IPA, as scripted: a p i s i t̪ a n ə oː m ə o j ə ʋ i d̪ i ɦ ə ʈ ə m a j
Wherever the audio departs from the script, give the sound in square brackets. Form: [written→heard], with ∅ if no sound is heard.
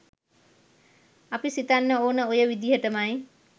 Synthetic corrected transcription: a p i s i t̪ a [n→nː] ə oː [m→n] ə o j ə ʋ i d̪ i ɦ ə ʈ ə m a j